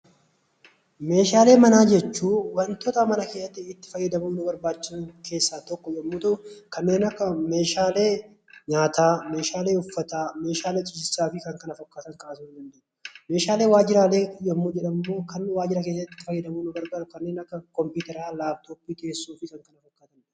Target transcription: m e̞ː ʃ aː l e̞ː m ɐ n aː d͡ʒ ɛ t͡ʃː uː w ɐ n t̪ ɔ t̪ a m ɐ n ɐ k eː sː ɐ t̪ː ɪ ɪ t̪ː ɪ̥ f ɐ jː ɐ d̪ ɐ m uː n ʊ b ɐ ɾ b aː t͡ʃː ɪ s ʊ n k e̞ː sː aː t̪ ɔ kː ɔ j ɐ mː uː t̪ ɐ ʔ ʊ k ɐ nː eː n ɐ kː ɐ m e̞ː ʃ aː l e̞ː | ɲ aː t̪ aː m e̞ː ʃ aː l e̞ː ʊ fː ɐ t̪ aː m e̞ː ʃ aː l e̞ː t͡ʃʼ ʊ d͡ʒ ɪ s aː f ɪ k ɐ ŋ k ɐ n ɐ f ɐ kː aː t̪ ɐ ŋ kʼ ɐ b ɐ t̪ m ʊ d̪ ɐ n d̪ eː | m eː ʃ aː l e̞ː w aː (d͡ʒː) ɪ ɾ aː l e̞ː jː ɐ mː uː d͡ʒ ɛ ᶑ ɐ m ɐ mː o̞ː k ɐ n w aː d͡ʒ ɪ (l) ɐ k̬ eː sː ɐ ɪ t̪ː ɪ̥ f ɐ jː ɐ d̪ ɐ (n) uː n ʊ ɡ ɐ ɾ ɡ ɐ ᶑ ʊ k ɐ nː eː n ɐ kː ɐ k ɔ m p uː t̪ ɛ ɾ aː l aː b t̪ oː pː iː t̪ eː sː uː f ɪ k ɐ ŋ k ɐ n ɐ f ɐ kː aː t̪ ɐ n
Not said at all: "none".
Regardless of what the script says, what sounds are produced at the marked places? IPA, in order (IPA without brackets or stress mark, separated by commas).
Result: d͡ʒ, ɾ, m